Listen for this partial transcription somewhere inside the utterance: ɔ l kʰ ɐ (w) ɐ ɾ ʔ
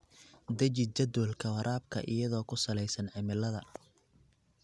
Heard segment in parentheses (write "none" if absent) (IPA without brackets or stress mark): w